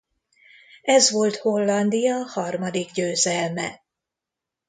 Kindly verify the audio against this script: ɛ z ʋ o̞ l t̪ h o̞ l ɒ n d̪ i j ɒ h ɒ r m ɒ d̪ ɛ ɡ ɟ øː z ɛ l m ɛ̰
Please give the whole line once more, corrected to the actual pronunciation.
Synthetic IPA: ɛ z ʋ o̞ l t̪ h o̞ lː ɒ n d̪ i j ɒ h ɒ r m ɒ d̪ i ɡ ɟ øː z ɛ l m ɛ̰